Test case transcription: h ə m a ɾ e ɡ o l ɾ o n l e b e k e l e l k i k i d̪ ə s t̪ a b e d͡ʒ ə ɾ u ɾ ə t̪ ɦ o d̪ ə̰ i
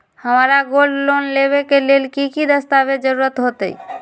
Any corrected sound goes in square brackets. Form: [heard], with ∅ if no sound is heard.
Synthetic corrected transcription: h ə m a ɾ [a] ɡ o l [l] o n l e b e k e l e l k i k i d̪ ə s t̪ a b e d͡ʒ ə ɾ u ɾ ə t̪ ɦ o [t̪] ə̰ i